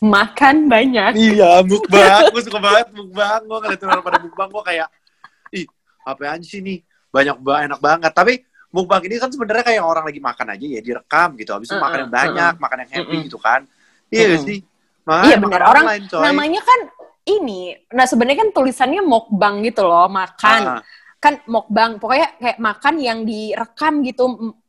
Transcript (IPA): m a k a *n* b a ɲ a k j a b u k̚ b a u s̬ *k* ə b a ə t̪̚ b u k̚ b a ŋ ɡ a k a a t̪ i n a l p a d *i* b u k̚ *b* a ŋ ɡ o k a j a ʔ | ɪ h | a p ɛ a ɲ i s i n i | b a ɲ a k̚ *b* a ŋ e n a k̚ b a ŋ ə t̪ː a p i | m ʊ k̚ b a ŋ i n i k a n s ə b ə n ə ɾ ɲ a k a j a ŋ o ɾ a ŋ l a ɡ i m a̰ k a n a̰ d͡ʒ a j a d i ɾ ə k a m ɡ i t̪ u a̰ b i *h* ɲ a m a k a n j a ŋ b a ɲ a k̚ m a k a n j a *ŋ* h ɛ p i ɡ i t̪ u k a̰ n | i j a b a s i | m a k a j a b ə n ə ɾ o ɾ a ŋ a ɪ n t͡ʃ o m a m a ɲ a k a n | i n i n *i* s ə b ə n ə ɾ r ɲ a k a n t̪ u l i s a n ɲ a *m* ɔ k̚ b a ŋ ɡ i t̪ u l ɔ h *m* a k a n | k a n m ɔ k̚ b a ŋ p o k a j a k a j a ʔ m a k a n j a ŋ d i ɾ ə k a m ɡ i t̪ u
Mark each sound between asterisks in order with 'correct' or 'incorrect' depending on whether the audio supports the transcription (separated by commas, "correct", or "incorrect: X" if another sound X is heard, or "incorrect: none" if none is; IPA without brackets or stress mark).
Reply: correct, correct, incorrect: a, correct, correct, incorrect: s, correct, incorrect: a, correct, correct